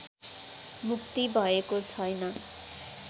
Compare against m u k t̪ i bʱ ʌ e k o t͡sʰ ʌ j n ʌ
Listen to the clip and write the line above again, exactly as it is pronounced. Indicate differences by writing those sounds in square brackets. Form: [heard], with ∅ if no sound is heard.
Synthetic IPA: m u k t̪ i bʱ ʌ e k o t͡sʰ ʌ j n ʌ